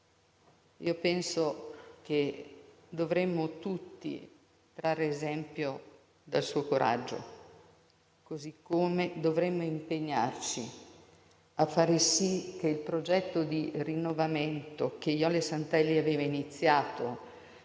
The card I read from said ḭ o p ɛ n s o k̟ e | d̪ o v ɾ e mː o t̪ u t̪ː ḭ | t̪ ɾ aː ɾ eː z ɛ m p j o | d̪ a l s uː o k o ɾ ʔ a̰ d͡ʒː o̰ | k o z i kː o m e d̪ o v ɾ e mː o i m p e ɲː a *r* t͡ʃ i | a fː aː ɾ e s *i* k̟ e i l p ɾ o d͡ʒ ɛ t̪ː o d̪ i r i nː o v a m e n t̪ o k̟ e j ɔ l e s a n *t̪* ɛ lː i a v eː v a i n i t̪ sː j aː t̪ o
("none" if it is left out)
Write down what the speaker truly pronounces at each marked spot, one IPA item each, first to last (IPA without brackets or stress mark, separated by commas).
r, i, t̪